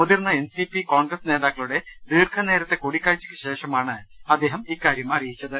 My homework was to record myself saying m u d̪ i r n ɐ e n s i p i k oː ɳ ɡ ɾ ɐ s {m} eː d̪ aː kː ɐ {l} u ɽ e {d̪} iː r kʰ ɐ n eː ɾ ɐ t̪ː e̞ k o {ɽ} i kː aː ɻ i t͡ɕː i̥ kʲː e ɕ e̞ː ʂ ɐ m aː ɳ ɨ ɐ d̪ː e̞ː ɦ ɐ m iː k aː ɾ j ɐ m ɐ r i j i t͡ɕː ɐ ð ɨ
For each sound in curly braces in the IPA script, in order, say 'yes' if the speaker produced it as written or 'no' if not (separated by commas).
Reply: no, no, yes, yes